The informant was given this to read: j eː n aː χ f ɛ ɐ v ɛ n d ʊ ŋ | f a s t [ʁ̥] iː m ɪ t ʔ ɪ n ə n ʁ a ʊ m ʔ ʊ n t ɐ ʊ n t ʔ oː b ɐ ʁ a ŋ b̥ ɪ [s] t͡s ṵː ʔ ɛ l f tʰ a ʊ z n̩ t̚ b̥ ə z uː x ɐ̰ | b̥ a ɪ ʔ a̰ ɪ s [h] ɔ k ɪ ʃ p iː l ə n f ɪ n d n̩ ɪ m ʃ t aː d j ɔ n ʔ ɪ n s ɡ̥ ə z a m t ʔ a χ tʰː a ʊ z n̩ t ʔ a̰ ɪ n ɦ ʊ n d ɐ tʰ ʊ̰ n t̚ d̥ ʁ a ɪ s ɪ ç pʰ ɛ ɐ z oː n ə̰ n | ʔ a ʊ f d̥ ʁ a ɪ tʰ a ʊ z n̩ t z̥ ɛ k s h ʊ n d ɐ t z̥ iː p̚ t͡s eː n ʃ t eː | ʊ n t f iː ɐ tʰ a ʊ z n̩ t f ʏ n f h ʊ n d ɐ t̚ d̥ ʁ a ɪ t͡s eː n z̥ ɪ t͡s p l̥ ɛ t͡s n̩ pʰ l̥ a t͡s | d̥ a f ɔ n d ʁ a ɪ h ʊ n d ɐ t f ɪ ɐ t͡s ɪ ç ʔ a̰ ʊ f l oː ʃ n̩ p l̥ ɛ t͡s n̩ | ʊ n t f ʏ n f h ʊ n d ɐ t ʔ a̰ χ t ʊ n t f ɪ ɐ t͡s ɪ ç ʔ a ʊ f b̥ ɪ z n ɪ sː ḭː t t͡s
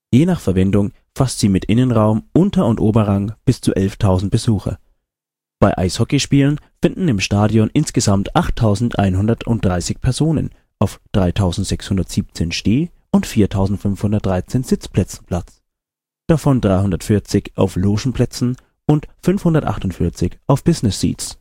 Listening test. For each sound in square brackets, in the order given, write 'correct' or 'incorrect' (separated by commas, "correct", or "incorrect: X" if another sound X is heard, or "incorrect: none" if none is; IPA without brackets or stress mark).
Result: incorrect: z̥, correct, correct